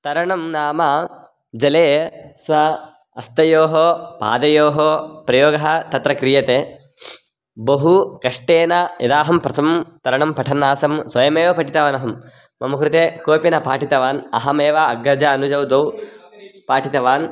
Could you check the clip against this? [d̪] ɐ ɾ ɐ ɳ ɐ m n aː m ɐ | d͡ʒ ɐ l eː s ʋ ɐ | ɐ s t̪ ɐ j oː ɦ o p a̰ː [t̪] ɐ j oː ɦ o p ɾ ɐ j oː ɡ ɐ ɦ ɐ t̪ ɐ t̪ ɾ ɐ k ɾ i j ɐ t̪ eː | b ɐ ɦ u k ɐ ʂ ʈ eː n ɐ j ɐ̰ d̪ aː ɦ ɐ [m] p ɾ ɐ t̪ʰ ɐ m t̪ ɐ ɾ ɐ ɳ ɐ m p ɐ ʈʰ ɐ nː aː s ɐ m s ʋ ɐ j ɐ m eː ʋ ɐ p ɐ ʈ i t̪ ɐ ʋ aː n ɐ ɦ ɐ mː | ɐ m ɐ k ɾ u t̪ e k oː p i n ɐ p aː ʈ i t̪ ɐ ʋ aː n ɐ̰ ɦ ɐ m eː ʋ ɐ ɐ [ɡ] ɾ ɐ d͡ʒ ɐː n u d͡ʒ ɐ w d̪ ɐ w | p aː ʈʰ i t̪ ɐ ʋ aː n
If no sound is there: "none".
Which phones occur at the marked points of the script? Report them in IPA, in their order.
t̪, d̪, m, ɡ

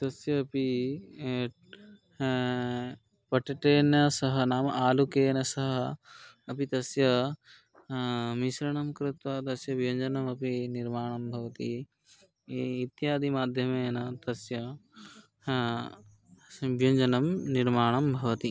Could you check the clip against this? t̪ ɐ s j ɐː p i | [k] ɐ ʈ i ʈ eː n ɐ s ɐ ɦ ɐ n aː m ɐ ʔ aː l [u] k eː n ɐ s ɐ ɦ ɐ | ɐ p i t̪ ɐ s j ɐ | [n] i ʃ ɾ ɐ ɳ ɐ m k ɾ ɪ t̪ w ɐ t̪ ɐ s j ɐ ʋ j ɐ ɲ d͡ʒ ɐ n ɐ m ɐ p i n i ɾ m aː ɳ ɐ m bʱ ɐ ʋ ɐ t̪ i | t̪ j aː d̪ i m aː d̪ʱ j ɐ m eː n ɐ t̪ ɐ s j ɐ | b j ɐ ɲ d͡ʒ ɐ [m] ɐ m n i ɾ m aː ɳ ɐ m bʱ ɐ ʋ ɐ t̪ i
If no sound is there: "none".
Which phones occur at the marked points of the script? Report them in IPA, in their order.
p, u, m, n

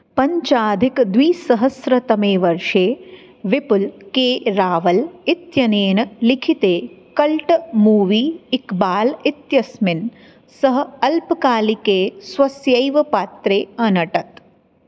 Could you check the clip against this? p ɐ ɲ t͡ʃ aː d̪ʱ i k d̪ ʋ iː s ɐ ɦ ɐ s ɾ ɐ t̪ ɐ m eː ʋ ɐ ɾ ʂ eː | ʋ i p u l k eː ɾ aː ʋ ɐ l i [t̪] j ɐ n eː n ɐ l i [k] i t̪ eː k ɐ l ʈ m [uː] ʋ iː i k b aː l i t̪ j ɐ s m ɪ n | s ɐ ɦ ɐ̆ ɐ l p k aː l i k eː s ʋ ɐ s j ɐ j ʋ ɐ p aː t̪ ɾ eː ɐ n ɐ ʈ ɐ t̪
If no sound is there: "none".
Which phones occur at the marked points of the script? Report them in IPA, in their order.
t̪, kʰ, uː

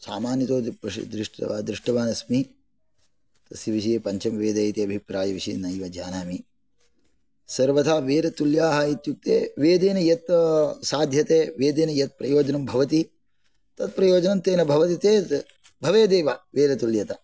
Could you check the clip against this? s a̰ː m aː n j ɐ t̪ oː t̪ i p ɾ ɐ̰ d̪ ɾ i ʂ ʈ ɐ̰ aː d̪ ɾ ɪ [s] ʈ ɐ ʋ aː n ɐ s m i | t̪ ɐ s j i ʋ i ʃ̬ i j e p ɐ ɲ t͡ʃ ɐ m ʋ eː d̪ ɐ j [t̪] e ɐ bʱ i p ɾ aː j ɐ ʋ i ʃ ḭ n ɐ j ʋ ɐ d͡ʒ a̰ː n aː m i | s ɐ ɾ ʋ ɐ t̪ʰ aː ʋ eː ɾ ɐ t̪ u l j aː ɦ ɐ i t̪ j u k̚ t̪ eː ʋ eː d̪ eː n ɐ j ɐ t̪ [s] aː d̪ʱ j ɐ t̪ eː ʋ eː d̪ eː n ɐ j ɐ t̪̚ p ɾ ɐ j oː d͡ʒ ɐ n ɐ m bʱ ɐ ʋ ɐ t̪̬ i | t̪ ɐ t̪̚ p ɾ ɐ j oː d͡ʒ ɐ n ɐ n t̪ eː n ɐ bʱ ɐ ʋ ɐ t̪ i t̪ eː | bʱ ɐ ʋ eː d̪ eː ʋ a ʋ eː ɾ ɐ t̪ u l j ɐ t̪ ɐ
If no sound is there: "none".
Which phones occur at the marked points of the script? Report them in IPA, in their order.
ʂ, t̪, s

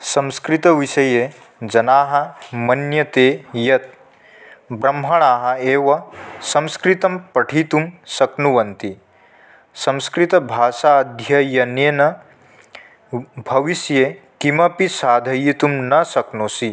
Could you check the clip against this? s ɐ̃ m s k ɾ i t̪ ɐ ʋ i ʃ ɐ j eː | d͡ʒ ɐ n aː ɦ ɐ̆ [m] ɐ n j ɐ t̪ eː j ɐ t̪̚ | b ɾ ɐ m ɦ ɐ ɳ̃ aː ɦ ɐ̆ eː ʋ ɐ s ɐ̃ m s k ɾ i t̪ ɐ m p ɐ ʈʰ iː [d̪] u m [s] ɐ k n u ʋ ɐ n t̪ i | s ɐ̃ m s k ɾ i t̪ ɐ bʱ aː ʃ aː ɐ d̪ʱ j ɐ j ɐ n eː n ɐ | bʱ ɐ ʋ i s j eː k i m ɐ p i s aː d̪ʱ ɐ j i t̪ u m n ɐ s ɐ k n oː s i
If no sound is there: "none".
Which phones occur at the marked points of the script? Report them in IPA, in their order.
m, t̪, s

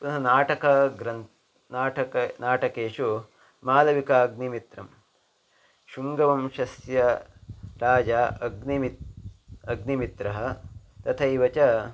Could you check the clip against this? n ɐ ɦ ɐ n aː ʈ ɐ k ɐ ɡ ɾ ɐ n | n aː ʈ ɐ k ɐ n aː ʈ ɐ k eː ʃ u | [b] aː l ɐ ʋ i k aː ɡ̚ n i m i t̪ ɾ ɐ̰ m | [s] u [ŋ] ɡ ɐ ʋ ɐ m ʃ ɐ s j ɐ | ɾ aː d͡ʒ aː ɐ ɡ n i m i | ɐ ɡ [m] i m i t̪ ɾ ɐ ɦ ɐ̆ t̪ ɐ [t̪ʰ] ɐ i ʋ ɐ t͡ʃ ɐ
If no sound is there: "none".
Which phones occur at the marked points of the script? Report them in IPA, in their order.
m, ʃ, ŋ, n, t̪ʰ

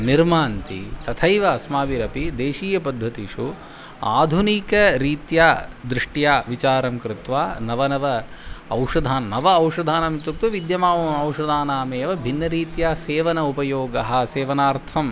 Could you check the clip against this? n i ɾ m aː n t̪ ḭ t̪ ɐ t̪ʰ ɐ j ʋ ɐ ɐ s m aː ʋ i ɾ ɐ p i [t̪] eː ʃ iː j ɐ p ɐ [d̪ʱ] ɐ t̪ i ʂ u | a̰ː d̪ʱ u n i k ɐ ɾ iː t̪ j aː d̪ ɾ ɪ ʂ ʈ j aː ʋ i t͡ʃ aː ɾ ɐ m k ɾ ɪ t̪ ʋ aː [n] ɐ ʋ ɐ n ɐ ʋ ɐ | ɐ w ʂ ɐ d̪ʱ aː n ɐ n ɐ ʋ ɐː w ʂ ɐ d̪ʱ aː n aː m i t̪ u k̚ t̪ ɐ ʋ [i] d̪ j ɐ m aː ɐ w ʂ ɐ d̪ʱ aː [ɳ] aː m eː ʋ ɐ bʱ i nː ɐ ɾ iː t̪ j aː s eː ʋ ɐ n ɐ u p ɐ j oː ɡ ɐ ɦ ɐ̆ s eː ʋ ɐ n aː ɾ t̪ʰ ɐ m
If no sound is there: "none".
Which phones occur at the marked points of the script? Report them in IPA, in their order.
d̪, d̪ʱː, n, i, n

